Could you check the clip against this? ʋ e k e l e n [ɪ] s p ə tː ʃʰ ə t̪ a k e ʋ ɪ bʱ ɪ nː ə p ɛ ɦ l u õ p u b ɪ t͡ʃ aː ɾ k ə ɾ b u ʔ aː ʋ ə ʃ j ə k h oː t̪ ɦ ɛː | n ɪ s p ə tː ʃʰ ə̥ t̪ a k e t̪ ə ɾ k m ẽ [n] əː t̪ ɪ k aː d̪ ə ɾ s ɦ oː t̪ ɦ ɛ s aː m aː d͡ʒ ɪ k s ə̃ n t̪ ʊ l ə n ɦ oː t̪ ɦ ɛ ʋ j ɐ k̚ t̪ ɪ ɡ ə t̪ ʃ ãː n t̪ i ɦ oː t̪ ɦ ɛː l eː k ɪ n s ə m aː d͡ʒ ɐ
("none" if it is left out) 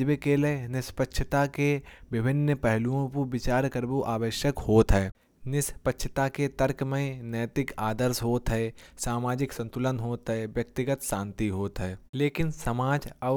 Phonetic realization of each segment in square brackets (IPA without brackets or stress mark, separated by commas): ɪ, n